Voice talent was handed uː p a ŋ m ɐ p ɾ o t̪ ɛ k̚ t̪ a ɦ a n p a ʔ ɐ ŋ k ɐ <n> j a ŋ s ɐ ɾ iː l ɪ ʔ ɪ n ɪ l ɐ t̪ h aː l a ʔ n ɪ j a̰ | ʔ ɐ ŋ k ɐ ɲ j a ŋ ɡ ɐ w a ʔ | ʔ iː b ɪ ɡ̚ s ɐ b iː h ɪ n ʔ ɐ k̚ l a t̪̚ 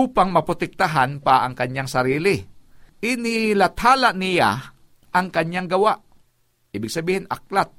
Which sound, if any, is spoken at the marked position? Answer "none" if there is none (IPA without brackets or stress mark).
ɲ